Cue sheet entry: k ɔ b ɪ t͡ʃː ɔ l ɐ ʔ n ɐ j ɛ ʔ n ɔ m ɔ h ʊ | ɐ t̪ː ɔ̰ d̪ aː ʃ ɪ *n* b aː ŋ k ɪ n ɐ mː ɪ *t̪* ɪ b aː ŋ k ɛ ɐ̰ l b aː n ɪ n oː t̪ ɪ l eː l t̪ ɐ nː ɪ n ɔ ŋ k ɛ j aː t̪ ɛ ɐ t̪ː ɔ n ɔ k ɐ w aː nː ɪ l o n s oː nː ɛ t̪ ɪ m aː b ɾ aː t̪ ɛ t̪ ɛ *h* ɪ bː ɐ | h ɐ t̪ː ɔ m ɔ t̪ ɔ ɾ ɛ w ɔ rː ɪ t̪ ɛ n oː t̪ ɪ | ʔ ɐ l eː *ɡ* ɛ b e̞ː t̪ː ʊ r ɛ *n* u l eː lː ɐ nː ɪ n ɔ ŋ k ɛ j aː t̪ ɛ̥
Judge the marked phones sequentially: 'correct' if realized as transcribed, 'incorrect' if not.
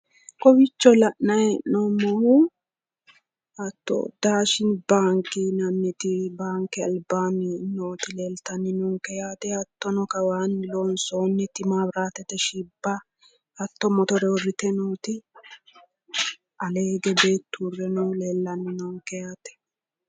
correct, correct, incorrect, correct, correct

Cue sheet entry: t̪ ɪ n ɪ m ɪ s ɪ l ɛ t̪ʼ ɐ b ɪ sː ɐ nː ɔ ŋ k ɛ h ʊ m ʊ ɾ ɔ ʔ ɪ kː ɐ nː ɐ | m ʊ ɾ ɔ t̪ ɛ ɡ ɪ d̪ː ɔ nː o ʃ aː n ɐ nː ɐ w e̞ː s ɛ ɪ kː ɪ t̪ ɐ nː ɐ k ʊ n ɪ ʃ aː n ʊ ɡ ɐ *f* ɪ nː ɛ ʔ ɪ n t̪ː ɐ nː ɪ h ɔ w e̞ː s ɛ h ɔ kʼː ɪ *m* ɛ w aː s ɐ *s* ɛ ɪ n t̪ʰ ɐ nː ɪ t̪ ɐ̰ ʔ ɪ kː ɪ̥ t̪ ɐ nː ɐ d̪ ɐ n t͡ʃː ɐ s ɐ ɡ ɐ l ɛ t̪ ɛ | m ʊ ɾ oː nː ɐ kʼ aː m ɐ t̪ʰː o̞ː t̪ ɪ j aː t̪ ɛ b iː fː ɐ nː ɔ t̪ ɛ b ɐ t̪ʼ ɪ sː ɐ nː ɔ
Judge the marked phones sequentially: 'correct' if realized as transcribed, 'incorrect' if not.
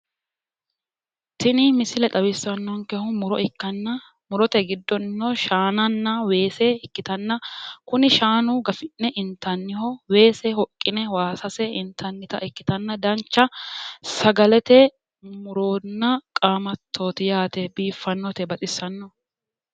correct, incorrect, correct

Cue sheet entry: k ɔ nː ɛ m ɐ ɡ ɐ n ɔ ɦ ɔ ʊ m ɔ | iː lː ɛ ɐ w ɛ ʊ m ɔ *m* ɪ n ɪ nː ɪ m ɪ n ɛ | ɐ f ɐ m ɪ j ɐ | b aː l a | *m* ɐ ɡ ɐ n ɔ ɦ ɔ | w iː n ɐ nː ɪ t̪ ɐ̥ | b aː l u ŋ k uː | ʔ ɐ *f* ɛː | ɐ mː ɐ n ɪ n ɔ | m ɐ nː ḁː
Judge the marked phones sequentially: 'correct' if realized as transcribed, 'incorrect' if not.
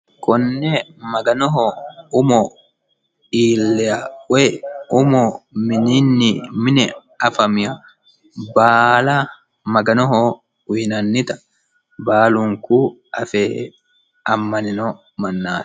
correct, correct, correct

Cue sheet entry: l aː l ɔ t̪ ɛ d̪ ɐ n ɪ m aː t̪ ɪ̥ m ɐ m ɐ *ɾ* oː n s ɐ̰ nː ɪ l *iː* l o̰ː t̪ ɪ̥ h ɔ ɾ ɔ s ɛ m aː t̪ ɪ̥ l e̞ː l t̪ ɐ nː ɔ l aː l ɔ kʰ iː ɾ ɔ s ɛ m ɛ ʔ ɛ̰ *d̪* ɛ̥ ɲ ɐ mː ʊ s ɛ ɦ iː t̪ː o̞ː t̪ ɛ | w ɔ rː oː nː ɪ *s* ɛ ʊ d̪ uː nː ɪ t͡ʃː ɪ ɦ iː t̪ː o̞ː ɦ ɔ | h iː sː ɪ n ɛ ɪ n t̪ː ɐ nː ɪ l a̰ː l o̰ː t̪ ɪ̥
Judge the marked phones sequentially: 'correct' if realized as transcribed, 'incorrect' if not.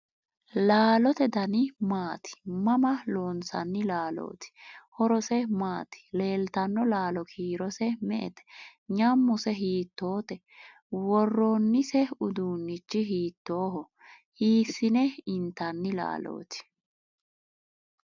incorrect, incorrect, incorrect, correct

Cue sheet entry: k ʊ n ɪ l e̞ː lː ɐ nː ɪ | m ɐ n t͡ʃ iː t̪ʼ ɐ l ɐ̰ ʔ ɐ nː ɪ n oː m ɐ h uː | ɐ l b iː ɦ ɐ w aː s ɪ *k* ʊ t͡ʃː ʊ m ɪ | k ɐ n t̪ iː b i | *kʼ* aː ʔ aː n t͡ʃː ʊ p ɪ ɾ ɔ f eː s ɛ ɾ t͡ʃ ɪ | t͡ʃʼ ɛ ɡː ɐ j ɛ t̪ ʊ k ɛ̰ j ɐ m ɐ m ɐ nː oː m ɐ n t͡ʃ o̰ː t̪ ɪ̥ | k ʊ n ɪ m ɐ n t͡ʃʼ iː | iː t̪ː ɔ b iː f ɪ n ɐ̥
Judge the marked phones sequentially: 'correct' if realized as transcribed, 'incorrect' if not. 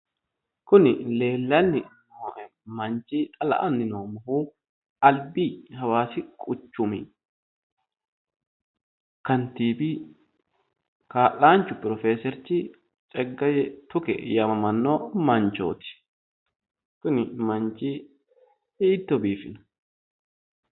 incorrect, incorrect

